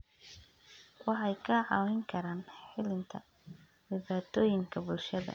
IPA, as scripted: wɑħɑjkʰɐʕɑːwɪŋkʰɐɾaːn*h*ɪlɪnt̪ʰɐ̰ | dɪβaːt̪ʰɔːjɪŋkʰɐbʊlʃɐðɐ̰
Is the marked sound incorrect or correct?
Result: incorrect